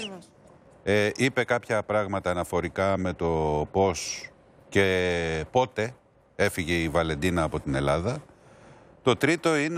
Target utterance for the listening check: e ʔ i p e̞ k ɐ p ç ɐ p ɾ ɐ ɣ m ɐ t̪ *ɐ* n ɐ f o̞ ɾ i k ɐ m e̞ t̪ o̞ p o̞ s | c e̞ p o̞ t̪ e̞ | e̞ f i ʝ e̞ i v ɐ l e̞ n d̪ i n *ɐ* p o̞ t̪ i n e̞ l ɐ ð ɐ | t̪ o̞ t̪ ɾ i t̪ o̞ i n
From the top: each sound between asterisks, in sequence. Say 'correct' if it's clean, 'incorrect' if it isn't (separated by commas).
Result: incorrect, incorrect